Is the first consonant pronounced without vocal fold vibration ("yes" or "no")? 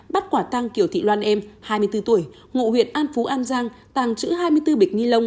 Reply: no